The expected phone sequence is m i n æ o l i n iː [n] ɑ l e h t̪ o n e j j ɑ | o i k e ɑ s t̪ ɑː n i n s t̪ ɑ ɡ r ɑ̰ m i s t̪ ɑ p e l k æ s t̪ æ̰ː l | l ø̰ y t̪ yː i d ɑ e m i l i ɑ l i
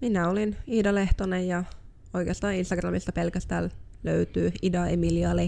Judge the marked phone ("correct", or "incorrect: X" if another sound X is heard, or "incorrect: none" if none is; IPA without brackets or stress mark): incorrect: d